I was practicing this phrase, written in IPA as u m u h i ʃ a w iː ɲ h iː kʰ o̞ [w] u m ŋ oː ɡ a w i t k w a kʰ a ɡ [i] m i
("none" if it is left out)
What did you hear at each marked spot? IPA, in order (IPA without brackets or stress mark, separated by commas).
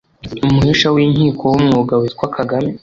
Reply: w, a